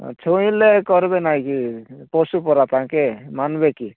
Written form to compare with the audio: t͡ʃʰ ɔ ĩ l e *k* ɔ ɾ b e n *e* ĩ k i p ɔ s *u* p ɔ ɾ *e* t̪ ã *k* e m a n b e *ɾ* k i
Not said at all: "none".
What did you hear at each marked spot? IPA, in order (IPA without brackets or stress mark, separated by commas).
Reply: k, a, u, a, k, none